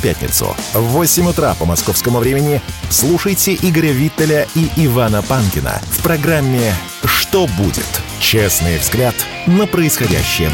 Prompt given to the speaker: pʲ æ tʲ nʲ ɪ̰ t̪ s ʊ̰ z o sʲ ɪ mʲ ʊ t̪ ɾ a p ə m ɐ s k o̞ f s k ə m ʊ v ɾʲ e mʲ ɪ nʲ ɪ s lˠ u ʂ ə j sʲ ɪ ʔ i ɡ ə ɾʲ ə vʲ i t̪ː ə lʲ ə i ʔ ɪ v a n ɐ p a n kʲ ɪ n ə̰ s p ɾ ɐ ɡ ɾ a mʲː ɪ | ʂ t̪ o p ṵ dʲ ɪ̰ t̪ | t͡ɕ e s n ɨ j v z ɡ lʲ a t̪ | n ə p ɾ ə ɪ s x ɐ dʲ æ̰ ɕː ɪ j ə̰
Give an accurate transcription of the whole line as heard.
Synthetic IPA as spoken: pʲ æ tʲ nʲ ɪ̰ t̪ s ʊ̰ v o sʲ ɪ mʲ ʊ t̪ ɾ a p ə m ɐ s k o̞ f s k ə m ʊ v ɾʲ e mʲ ɪ nʲ ɪ s lˠ u ʂ ə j tʲ ɪ ʔ i ɡ ə ɾʲ ə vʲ i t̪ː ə lʲ ə i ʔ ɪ v a n ə p a n kʲ ɪ n ə̰ f p ɾ ɐ ɡ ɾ a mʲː ɪ | ʂ t̪ o b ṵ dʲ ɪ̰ t̪ | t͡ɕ e s n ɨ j v z ɡ lʲ a t̪ | n ə p ɾ ə ɪ s x ɐ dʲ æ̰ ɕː ɪ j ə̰